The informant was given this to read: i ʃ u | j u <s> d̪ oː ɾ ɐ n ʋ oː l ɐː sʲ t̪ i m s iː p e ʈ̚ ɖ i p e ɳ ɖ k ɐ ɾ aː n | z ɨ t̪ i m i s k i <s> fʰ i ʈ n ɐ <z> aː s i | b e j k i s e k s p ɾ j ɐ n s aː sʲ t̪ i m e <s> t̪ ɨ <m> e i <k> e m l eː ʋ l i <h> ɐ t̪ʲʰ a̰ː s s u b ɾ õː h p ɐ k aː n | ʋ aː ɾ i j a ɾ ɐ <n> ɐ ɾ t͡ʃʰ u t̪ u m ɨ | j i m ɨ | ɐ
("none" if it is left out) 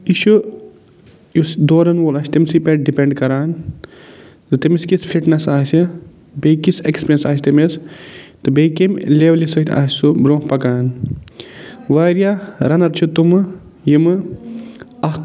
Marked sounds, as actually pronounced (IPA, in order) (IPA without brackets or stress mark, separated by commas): s, s, s, s, b, k, s, n